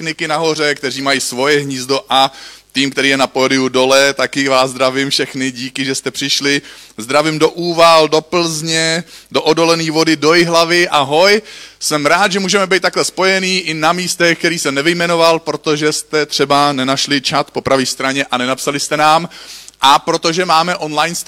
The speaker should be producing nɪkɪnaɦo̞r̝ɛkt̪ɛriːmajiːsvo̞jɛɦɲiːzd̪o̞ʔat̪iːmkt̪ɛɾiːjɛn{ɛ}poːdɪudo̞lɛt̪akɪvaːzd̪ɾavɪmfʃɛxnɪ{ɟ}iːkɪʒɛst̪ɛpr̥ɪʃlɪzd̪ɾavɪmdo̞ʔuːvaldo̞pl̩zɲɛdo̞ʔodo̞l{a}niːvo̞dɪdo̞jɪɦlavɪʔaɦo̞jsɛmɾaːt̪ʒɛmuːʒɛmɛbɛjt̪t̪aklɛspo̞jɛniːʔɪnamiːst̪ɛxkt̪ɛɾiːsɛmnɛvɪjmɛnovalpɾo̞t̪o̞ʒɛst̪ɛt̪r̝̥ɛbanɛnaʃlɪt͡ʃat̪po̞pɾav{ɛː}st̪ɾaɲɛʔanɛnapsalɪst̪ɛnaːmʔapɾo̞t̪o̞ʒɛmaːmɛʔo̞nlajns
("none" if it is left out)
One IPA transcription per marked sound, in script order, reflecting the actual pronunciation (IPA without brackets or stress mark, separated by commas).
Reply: a, ɟ, ɛ, iː